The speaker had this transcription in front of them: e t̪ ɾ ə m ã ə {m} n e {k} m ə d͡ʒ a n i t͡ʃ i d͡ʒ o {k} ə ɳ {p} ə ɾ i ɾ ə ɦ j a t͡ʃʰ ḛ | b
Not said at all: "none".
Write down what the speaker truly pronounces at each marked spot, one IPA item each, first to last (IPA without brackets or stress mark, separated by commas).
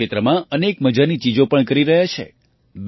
none, k, p, k